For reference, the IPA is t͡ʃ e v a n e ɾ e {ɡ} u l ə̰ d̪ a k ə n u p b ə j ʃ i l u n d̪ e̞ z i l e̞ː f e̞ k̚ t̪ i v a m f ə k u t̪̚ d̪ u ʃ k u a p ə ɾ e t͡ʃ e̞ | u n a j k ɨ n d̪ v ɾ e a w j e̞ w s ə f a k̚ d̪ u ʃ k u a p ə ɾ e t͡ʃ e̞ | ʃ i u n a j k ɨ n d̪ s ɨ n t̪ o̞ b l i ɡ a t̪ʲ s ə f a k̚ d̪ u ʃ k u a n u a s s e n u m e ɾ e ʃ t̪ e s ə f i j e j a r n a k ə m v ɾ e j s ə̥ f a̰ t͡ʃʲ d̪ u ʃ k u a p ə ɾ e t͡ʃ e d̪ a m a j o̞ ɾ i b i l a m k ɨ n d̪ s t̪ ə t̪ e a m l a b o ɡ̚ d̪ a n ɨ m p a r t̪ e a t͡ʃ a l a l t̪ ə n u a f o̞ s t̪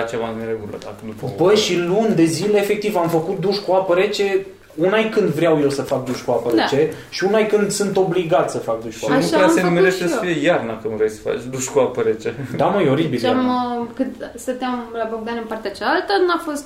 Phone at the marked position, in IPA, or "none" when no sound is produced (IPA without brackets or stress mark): ɡ